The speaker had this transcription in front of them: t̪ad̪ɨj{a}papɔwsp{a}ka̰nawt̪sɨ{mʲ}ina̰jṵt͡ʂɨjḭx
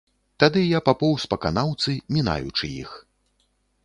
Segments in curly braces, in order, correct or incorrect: correct, incorrect, correct

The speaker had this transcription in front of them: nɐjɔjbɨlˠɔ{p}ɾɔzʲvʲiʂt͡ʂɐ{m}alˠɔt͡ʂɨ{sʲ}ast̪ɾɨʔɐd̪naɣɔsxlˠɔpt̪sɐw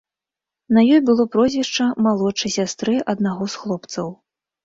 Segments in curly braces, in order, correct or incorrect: correct, correct, correct

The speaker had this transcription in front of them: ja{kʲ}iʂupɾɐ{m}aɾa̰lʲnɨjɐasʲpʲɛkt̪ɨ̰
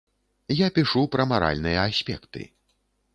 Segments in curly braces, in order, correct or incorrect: incorrect, correct

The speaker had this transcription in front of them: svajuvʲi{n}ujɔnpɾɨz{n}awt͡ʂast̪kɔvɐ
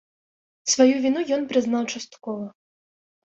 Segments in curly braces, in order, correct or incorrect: correct, correct

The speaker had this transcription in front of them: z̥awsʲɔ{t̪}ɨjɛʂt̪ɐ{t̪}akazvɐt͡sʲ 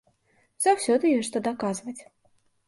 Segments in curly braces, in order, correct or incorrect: incorrect, incorrect

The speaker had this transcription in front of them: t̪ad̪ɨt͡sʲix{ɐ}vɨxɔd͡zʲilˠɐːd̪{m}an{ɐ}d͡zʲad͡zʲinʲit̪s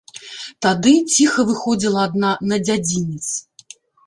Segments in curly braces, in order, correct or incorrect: correct, incorrect, correct

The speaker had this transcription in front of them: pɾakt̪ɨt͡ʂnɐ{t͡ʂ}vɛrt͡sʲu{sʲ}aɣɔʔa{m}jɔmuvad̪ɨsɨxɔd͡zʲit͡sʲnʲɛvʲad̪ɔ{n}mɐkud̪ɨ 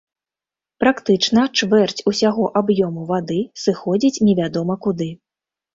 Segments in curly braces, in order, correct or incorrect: correct, correct, incorrect, incorrect

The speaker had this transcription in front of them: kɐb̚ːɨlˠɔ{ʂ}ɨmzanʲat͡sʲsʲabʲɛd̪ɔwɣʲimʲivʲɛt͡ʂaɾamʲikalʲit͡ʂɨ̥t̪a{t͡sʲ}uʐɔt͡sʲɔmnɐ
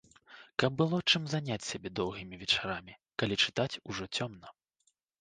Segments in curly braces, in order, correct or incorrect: incorrect, correct

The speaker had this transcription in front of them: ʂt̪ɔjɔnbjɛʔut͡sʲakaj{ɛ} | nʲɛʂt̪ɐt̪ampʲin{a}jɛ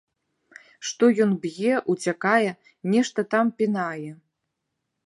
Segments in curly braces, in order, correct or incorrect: correct, correct

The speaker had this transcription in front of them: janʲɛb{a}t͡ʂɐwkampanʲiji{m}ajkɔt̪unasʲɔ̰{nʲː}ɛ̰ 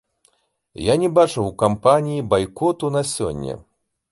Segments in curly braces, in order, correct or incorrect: correct, incorrect, correct

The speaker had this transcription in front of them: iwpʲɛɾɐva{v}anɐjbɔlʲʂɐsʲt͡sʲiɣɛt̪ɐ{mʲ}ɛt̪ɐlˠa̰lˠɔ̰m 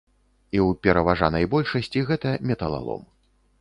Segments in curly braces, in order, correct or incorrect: incorrect, correct

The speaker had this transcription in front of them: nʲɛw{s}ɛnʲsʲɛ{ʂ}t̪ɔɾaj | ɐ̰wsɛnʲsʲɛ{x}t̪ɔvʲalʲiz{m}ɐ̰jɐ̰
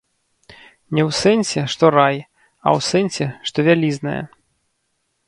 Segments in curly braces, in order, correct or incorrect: correct, correct, incorrect, incorrect

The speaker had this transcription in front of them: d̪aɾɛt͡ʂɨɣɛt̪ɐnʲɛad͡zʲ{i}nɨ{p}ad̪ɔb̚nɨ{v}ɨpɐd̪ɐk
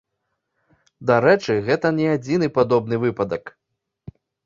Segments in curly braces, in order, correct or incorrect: correct, correct, correct

